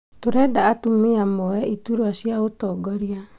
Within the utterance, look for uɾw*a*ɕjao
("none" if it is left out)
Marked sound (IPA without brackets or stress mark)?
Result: a